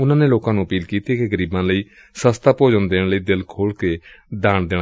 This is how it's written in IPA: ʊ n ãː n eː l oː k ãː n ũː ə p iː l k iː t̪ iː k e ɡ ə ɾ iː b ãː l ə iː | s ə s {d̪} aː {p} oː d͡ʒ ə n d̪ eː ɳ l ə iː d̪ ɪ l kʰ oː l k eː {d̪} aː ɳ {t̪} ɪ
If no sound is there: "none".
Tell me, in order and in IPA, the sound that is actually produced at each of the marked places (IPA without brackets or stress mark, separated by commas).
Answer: t̪, p, d̪, d̪